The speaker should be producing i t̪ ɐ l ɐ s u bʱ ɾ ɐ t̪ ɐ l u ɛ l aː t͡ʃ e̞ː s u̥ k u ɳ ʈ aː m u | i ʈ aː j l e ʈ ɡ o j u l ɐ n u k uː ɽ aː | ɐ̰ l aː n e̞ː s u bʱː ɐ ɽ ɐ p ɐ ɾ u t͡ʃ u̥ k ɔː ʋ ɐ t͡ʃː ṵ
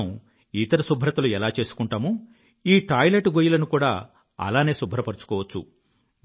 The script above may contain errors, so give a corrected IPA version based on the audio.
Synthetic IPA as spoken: i t̪ ɐ ɾ ɐ s u bʱ ɾ ɐ t̪ ɐ l u ɛ l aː t͡ʃ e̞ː s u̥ k u ɳ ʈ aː m u | iː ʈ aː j l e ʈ ɡ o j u l ɐ n u k uː ɽ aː | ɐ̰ l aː n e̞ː s u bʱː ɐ ɾ ɐ p ɐ ɾ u t͡ʃ u̥ k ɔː ʋ ɐ t͡ʃː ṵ

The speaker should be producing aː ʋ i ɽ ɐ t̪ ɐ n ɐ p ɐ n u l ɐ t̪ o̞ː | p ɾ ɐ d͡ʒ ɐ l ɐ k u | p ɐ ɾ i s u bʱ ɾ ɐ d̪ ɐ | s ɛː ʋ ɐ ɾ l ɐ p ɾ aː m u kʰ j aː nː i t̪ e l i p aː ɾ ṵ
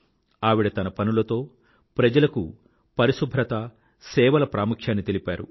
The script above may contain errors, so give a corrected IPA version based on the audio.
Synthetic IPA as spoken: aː ʋ i ɽ ɐ t̪ ɐ n ɐ p ɐ n u l ɐ t̪ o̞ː | p ɾ ɐ d͡ʒ ɐ l ɐ k u | p ɐ ɾ i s u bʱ ɾ ɐ t̪ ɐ | s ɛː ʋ ɐ l ɐ p ɾ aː m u kʰ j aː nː i t̪ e l i p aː ɾ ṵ

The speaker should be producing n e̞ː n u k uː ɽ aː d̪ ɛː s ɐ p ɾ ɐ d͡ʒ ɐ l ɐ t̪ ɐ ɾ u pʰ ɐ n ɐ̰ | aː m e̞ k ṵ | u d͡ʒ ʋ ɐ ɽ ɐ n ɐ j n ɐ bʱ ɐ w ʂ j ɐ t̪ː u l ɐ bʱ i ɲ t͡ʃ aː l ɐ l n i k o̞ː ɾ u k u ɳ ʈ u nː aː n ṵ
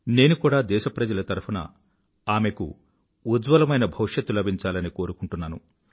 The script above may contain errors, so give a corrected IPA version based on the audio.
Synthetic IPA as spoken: n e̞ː n u k uː ɽ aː d̪ ɛː ʃ ɐ p ɾ ɐ d͡ʒ ɐ l ɐ t̪ ɐ ɾ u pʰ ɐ n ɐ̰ | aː m e̞ k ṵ | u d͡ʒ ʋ ɐ l ɐ m ɐ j n ɐ bʱ ɐ w ʂ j ɐ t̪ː u l ɐ bʱ i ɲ t͡ʃ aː l ɐ n i k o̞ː ɾ u k u ɳ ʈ u nː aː n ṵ

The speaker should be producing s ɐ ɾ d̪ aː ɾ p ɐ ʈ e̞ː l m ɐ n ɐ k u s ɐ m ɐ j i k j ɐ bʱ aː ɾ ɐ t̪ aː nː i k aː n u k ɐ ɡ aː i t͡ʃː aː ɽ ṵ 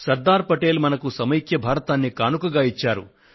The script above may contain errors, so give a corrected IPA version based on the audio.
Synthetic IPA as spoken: s ɐ ɾ d̪ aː ɾ p ɐ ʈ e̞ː l m ɐ n ɐ k u s ɐ m ɐ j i k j ɐ bʱ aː ɾ ɐ t̪ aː nː i k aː n u k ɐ ɡ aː i t͡ʃː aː ɾ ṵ

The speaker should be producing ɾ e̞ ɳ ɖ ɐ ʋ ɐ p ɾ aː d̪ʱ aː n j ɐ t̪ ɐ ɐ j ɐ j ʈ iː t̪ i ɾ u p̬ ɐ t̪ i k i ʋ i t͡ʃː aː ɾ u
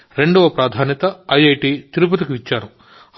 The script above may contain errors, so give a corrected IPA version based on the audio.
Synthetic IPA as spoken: ɾ e̞ ɳ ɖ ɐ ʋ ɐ p ɾ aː d̪ʱ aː n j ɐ t̪ ɐ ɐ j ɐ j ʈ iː t̪ i ɾ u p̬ ɐ t̪ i k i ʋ i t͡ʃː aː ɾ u

